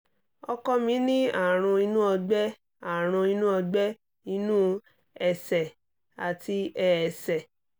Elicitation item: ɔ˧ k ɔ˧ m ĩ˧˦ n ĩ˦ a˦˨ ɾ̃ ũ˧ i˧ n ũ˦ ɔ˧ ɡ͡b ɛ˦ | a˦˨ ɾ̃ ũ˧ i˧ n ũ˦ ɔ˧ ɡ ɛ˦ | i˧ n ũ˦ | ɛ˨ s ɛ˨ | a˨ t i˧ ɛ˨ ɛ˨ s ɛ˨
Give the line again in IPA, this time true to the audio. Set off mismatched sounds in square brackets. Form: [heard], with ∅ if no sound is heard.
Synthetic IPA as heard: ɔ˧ k ɔ˧ m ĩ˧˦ n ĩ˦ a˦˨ ɾ̃ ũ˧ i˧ n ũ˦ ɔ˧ ɡ͡b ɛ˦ | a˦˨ ɾ̃ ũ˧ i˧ n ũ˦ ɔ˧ [ɡ͡b] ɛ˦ | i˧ n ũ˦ | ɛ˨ s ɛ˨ | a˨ t i˧ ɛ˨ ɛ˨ s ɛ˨